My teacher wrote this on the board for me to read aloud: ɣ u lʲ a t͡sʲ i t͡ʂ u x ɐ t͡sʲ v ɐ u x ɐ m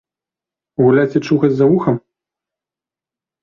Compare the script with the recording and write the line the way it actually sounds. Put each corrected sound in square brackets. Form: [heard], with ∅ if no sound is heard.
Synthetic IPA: ɣ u lʲ a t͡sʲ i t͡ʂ u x ɐ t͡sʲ [z] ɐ u x ɐ m